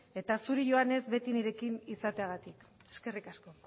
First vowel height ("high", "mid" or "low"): mid